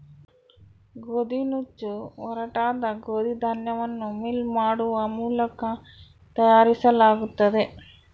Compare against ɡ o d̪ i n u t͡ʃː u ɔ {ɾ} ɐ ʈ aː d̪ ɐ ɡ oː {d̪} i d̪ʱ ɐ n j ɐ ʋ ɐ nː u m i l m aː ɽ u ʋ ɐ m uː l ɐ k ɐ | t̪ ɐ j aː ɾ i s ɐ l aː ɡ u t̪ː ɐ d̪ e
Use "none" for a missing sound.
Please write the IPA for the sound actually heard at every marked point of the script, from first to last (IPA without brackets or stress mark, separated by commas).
ɾ, d̪